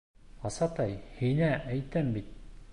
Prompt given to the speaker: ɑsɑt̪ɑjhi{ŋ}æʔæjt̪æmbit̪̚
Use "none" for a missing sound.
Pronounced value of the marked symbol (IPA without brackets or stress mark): n